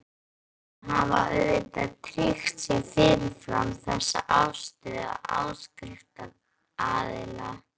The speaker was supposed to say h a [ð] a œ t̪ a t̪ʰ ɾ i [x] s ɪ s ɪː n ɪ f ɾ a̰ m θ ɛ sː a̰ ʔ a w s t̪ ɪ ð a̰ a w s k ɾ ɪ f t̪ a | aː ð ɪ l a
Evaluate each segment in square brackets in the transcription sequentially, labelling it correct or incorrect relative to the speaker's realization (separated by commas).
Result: incorrect, correct